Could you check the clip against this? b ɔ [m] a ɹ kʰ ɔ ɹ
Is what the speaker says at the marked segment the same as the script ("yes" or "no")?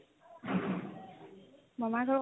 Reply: yes